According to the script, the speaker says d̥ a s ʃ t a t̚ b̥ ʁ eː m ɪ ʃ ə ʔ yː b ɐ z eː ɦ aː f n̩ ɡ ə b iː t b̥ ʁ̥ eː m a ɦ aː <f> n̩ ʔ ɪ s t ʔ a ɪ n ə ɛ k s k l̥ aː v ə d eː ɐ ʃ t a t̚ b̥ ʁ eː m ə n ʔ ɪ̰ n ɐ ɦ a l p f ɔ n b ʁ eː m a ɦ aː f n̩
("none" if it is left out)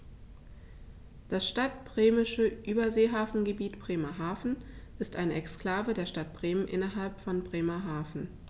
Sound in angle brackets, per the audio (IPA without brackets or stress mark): f